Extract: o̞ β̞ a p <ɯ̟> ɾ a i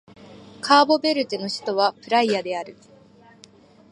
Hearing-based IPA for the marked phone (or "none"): ɯ̟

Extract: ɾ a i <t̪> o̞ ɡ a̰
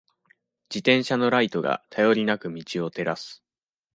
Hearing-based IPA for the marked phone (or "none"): t̪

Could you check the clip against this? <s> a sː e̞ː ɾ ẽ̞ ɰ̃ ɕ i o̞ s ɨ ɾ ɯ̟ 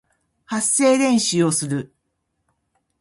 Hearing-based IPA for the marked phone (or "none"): h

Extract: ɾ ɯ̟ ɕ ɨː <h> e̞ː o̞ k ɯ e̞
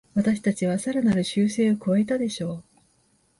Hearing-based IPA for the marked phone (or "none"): s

